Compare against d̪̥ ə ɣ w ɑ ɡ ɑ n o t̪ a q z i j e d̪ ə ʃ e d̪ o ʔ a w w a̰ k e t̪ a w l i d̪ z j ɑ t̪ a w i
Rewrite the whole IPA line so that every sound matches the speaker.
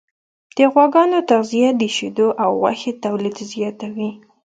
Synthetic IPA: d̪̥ ə ɣ w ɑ ɡ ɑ n o t̪ a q z i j a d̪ ə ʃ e d̪ o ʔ a w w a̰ x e t̪ a w l i d̪ z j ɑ t̪ a w i